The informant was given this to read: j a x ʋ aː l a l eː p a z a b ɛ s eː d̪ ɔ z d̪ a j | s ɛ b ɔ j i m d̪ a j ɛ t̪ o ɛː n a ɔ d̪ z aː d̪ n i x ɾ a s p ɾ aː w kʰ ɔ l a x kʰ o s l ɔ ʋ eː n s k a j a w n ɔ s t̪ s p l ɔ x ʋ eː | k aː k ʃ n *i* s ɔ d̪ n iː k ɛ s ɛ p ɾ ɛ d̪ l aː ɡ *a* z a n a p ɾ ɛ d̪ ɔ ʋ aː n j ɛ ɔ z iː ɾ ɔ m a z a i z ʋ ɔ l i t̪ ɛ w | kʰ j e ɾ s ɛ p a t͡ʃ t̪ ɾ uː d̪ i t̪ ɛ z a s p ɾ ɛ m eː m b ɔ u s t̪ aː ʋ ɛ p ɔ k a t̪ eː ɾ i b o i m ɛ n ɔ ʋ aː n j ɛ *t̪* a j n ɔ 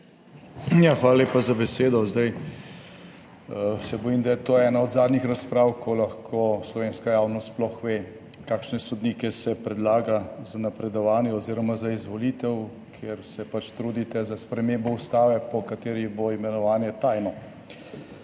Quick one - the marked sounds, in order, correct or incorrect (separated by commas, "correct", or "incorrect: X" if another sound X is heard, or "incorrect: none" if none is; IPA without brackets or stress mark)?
incorrect: ɛ, correct, correct